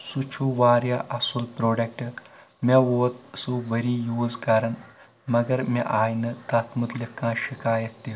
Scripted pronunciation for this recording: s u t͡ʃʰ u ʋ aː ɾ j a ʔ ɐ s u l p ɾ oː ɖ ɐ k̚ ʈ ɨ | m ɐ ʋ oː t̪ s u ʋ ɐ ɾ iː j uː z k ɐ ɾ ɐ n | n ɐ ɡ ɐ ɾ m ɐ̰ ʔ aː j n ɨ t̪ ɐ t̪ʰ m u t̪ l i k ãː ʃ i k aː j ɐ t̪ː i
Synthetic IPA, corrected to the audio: s u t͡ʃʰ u ʋ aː ɾ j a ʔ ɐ s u l p ɾ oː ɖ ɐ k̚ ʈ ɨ | m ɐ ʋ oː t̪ s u ʋ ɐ ɾ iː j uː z k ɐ ɾ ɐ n | m ɐ ɡ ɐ ɾ m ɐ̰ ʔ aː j n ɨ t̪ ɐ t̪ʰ m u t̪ l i k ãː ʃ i k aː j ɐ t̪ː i